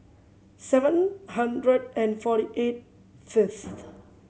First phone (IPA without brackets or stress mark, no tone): s